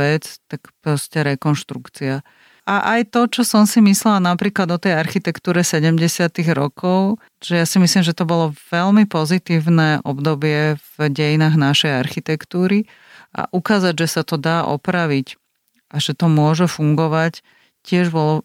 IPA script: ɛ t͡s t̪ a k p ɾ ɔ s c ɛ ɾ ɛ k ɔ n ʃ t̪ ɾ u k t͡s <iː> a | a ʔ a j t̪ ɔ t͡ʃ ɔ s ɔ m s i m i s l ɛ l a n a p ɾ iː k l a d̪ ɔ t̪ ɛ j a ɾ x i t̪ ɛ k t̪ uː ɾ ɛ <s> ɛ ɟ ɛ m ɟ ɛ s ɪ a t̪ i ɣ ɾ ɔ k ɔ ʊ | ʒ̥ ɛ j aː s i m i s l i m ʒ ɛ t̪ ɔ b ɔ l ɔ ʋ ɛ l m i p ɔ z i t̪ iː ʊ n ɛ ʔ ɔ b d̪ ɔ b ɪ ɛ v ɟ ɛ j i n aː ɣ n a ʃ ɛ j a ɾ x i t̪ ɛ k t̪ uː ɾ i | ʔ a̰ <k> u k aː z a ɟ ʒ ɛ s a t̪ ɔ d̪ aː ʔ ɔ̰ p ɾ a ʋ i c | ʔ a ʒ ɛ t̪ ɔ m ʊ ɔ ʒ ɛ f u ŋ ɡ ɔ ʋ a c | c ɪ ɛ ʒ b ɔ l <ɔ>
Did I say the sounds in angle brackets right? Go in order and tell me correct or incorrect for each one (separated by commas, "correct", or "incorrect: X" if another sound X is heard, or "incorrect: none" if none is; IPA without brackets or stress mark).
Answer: incorrect: i, correct, incorrect: ʔ, correct